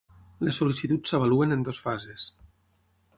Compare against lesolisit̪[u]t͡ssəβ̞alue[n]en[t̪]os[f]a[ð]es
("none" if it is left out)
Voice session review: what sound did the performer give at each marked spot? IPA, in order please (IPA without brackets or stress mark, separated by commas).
u, n, d̪, f, z